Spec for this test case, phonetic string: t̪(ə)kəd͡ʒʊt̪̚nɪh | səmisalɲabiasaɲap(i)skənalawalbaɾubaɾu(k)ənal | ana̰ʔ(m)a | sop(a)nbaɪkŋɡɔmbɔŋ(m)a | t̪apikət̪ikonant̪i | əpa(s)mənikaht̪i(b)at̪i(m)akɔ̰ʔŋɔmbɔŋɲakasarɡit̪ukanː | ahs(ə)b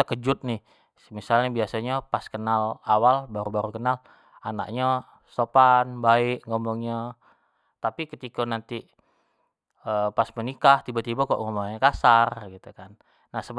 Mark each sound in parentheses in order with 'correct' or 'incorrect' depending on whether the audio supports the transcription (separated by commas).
correct, incorrect, correct, incorrect, correct, incorrect, correct, correct, incorrect, correct